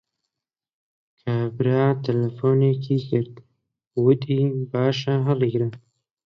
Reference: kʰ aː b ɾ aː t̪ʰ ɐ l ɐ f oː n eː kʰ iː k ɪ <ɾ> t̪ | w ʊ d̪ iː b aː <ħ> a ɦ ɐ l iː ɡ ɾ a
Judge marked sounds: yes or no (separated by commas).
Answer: yes, no